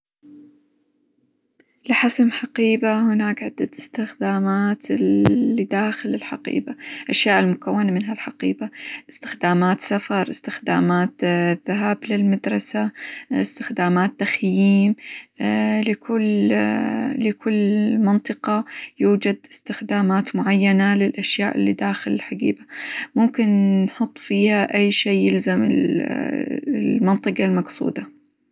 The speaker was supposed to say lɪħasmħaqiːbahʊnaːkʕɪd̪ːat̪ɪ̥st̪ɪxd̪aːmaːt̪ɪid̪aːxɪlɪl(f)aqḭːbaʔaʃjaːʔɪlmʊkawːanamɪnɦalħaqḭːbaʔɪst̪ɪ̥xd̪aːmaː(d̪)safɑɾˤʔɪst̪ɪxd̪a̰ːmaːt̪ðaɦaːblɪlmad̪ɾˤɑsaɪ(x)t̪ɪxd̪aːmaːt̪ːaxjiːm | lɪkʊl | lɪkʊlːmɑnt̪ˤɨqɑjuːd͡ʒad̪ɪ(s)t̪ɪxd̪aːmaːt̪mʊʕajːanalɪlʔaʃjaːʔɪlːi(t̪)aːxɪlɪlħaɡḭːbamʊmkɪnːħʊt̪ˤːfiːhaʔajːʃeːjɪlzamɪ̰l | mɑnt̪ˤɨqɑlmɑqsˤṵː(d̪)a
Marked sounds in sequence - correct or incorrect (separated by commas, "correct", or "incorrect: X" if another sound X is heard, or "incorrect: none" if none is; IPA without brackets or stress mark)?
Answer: incorrect: ħ, incorrect: t̪, incorrect: s, correct, incorrect: d̪, correct